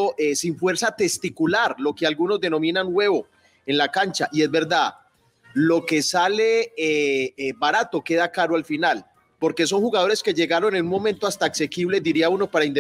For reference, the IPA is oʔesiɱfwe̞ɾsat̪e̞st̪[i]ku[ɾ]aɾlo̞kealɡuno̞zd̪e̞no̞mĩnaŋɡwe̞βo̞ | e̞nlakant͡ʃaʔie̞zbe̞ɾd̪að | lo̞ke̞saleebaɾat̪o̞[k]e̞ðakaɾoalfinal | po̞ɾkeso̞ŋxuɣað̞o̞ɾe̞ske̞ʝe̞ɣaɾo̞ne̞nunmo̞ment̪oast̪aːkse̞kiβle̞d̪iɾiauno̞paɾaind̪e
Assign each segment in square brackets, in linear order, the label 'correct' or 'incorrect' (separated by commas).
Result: correct, incorrect, correct